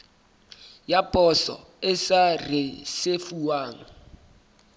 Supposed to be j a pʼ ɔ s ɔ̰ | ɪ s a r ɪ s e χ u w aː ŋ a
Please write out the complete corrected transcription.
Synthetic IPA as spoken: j a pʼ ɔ s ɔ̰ | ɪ s a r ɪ s e f u w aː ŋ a